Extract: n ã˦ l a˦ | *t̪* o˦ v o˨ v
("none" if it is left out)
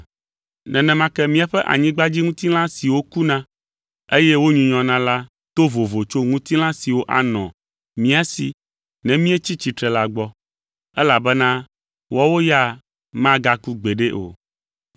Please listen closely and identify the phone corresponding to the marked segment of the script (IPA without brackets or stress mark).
t̪